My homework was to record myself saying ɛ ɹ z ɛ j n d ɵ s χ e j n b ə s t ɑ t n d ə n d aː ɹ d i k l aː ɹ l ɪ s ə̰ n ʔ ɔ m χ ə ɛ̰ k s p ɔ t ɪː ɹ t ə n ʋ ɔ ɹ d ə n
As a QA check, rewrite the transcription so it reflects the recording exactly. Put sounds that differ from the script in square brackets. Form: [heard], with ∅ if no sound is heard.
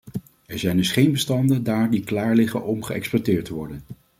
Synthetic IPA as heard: ɛ ɹ z ɛ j n d ɵ s χ e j n b ə s t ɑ [∅] n d ə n d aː ɹ d i k l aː ɹ l ɪ [χ] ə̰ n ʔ ɔ m χ ə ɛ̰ k s p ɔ t ɪː ɹ t ə [∅] ʋ ɔ ɹ d ə n